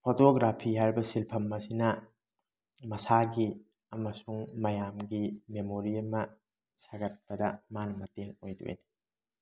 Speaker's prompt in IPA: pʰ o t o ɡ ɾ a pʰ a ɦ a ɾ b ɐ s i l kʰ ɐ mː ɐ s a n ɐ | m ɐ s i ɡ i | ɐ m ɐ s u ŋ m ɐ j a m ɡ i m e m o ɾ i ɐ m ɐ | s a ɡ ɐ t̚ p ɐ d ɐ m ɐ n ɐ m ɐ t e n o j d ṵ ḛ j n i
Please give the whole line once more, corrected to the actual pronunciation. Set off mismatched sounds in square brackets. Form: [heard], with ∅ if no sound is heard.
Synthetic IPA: pʰ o t o ɡ ɾ a pʰ [i] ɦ a ɾ b ɐ s i l [pʰ] ɐ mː ɐ s [i] n ɐ | m ɐ s [a] ɡ i | ɐ m ɐ s u ŋ m ɐ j a m ɡ i m e m o ɾ i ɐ m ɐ | s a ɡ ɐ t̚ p ɐ d ɐ m [a] n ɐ m ɐ t e [ŋ] o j d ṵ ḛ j n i

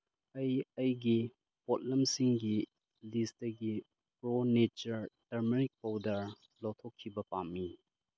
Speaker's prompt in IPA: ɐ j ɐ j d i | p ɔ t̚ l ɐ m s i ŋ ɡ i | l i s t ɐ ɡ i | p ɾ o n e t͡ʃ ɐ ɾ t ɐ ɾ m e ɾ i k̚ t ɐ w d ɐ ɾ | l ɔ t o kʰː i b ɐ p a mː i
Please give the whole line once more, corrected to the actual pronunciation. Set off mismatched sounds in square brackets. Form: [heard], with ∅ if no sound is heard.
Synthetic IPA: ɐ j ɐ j [ɡ] i | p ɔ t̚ l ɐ m s i ŋ ɡ i | l i s t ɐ ɡ i | p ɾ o n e t͡ʃ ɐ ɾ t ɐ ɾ m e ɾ i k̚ [p] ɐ w d ɐ ɾ | l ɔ [tʰ] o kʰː i b ɐ p a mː i

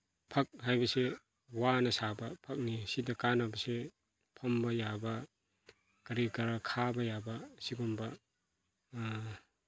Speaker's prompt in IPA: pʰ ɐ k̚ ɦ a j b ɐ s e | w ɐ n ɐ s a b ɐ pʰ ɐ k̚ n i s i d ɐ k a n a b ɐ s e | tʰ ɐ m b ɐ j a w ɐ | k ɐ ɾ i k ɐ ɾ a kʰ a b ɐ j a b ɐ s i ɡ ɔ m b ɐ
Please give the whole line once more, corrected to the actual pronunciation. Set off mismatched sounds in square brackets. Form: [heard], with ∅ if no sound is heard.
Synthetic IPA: pʰ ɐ k̚ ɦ a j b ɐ s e | w [a] n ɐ s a b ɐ pʰ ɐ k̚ n i s i d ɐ k a n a b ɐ s e | [pʰ] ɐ m b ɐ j a [b] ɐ | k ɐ ɾ i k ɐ ɾ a kʰ a b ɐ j a b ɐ s i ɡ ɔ m b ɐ

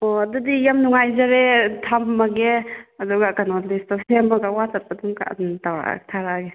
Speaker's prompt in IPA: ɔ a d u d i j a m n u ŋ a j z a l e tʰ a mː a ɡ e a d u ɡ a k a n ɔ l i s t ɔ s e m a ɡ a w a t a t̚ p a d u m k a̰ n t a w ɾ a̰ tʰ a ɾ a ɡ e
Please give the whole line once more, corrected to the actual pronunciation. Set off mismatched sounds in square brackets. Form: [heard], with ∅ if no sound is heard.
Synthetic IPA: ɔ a d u d i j a m n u ŋ a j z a [ɾ] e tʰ a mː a ɡ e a d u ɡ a k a n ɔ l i s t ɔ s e m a ɡ a w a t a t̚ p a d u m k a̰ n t a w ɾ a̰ tʰ a ɾ a ɡ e

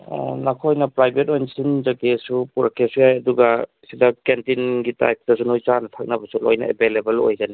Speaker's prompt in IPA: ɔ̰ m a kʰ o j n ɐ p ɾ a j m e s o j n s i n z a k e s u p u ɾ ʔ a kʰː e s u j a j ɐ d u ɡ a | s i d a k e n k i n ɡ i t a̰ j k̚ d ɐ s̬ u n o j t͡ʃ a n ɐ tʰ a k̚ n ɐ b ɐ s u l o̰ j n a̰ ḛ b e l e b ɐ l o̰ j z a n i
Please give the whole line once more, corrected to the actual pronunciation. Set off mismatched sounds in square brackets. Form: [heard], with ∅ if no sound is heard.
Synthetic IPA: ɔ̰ [n] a kʰ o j n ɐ p ɾ a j [b] e [t] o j n s i n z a k e s u p u ɾ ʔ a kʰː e s u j a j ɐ d u ɡ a | s i d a k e n [t] i n ɡ i t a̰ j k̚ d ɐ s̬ u n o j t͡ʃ a n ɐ tʰ a k̚ n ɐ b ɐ s u l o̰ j n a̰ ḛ b e l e b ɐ l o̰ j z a n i

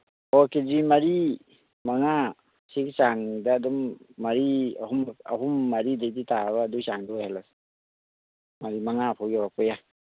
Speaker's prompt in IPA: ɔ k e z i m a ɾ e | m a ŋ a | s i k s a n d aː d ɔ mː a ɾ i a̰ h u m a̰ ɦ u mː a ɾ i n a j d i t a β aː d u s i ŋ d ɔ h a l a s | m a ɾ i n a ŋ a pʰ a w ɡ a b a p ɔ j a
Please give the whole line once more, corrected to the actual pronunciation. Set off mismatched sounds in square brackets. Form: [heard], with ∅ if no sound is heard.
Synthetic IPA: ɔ k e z i m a ɾ [i] | m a ŋ a | s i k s a [ŋ] d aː d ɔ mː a ɾ i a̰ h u m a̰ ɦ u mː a ɾ i [d] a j d i t a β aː d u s [a] ŋ d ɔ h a l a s | m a ɾ i [m] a ŋ a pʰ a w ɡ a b a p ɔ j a

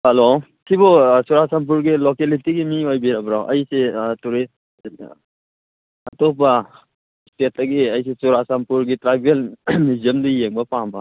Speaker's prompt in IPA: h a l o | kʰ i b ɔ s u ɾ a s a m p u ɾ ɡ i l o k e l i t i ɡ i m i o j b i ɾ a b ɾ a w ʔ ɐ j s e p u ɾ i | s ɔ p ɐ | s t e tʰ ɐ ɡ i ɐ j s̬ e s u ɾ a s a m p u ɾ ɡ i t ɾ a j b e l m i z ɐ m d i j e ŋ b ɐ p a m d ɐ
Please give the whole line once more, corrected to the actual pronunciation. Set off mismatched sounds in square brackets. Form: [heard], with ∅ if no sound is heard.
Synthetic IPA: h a l o | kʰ i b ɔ s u ɾ a s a m p u ɾ ɡ i l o k e l i t i ɡ i m i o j b i ɾ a b ɾ a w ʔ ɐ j s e [t] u ɾ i | [t] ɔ p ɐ | s t e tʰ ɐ ɡ i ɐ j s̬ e s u ɾ a s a m p u ɾ ɡ i t ɾ a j b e l m i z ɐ m d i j e ŋ b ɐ p a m [b] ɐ

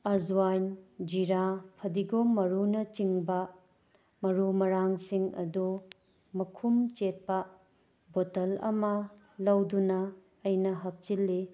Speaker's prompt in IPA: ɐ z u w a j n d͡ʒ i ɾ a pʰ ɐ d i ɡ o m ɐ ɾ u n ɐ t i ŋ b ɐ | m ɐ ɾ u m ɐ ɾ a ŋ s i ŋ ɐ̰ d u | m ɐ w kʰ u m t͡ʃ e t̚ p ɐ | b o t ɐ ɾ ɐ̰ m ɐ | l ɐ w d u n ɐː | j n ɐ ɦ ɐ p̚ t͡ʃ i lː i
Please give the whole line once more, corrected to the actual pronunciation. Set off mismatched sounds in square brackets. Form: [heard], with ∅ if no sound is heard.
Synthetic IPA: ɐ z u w a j n d͡ʒ i ɾ a pʰ ɐ d i ɡ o m ɐ ɾ u n ɐ [t͡ʃ] i ŋ b ɐ | m ɐ ɾ u m ɐ ɾ a ŋ s i ŋ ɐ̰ d u | m ɐ [∅] kʰ u m t͡ʃ e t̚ p ɐ | b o t ɐ [l] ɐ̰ m ɐ | l ɐ w d u n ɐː | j n ɐ ɦ ɐ p̚ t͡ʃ i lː i

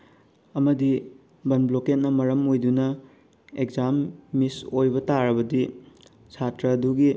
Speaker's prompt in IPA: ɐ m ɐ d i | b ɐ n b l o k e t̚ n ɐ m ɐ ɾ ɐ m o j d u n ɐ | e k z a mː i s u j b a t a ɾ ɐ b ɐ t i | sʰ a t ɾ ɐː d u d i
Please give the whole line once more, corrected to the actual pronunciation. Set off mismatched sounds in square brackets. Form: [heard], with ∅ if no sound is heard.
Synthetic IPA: ɐ m ɐ d i | b ɐ n b l o k e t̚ n ɐ m ɐ ɾ ɐ m o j d u n ɐ | e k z a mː i s [o] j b [ɐ] t a ɾ ɐ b ɐ [d] i | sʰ a t ɾ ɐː d u [ɡ] i

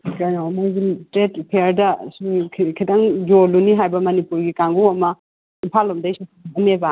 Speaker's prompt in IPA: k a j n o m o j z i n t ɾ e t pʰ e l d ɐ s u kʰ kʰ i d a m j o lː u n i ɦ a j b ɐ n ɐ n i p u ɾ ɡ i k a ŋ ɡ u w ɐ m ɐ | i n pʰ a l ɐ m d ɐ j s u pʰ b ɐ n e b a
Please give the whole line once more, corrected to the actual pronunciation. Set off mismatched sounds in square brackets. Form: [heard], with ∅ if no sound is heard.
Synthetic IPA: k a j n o m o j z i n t ɾ e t pʰ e [ɾ] d ɐ s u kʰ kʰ i d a [ŋ] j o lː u n i ɦ a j b ɐ [m] ɐ n i p u ɾ ɡ i k a ŋ ɡ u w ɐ m ɐ | i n pʰ a l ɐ m d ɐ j s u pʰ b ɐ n e b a

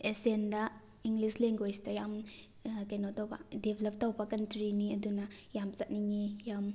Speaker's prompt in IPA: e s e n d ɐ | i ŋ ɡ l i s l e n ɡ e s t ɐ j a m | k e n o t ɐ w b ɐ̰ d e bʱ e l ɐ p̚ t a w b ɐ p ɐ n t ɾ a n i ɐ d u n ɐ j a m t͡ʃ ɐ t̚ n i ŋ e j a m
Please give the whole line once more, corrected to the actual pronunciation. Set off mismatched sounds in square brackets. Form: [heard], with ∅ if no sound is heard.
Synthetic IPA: e s e n d ɐ | i ŋ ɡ l i s l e [ŋ] ɡ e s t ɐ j a m | k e n o t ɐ w b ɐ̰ d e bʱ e l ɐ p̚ t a w b ɐ [k] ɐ n t ɾ [i] n i ɐ d u n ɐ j a m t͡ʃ ɐ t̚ n i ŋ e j a m

